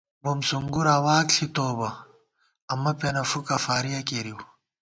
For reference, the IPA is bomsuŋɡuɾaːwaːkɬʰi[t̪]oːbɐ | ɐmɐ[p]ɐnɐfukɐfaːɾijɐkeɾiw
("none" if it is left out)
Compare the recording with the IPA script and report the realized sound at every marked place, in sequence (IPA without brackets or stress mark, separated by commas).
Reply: t̪, p